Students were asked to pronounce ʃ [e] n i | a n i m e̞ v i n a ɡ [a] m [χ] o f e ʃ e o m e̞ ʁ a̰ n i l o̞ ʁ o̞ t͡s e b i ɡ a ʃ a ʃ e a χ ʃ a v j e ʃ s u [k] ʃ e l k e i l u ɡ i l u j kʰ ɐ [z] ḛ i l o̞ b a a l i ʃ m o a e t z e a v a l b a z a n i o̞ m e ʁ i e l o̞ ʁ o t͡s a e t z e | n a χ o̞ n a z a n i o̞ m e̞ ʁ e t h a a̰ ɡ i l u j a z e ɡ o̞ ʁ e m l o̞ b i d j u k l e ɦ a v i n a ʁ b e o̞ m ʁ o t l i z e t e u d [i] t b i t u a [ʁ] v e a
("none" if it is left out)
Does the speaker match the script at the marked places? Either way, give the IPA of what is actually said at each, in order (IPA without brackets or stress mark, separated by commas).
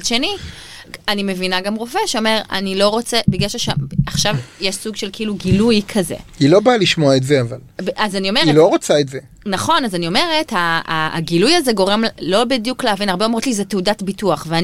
e, a, ʁ, ɡ, z, a, χ